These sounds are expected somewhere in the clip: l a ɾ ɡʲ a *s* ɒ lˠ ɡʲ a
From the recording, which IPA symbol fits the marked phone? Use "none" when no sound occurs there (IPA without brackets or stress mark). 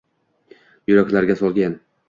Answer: s